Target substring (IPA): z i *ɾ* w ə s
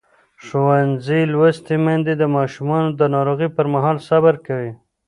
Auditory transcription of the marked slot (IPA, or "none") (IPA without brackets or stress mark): l